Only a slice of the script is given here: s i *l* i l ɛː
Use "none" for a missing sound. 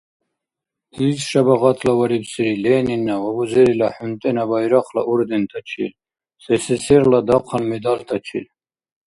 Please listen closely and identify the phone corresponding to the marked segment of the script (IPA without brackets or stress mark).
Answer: ɾ